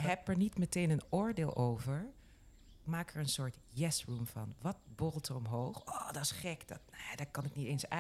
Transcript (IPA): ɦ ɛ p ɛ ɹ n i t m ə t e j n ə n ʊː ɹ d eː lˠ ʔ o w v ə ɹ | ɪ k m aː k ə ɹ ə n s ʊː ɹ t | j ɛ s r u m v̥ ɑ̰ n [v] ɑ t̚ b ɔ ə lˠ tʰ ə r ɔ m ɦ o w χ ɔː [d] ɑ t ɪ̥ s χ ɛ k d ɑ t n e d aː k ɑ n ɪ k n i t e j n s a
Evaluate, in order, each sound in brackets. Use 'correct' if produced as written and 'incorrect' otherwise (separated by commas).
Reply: incorrect, correct